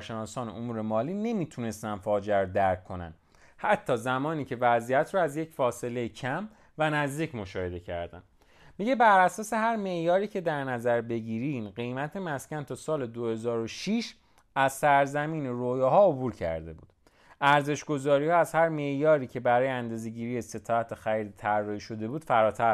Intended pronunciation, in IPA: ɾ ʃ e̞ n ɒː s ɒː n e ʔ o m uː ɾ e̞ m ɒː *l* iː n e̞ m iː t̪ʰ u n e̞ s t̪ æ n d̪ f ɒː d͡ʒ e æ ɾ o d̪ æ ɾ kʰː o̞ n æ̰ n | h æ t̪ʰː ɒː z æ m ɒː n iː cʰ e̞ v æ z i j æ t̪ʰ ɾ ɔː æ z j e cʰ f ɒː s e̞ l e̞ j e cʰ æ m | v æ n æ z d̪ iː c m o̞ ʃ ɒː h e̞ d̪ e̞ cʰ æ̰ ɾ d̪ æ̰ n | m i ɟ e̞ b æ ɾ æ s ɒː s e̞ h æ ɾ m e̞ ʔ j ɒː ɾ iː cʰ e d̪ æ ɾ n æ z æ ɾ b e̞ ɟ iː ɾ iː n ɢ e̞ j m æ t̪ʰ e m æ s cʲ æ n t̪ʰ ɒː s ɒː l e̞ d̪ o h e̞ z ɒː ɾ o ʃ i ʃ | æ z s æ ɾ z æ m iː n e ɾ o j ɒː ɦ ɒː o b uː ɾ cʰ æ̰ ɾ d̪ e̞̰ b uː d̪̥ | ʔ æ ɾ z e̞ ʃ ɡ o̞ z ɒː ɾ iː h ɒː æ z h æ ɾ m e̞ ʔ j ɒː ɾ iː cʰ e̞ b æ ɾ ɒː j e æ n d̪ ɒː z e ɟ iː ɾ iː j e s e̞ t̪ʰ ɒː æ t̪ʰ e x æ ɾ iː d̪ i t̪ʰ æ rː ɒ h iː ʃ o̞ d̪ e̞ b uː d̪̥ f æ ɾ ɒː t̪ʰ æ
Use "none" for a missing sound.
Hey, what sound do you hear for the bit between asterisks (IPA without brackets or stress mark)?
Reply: l